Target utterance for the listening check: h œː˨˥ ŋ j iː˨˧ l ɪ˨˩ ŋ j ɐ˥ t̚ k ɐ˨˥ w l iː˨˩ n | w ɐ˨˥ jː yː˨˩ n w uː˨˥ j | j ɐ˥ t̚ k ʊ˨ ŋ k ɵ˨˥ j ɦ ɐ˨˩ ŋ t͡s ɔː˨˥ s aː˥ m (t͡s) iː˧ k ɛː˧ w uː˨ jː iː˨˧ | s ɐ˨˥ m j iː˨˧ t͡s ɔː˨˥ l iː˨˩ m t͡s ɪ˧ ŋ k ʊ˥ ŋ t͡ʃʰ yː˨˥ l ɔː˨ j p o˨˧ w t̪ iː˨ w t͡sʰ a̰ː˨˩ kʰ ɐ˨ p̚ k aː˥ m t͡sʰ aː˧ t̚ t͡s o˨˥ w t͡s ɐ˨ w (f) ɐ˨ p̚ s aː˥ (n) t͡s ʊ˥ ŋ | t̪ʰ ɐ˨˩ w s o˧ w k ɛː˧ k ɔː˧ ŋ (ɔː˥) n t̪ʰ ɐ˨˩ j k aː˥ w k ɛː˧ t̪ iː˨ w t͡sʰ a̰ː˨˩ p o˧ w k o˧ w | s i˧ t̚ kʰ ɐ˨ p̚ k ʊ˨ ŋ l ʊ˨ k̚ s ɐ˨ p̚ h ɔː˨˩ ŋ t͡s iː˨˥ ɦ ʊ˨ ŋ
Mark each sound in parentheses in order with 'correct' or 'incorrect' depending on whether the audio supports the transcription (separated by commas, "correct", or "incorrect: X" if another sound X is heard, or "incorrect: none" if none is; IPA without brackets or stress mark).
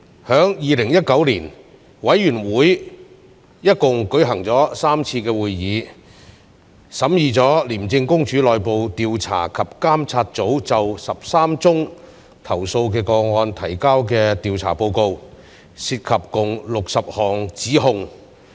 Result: incorrect: t͡sʰ, incorrect: s, incorrect: m, incorrect: ɔː˧